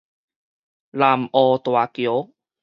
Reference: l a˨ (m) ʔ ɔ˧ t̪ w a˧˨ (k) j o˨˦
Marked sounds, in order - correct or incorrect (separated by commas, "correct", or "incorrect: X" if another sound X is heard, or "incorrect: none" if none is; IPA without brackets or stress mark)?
correct, correct